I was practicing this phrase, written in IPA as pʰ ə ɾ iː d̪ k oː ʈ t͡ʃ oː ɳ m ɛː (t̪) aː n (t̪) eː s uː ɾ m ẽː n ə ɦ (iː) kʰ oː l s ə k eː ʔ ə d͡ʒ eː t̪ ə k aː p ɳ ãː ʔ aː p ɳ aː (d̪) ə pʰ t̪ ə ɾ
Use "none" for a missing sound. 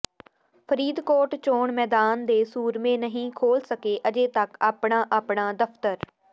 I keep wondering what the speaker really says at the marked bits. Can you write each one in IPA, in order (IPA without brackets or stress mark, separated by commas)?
d̪, d̪, ĩː, d̪